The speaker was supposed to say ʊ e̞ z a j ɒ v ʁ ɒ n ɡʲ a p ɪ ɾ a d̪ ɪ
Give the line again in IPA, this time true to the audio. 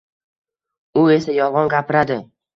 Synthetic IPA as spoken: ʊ e̞ s a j ɒ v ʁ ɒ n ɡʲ a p ɪ ɾ a d̪ ɪ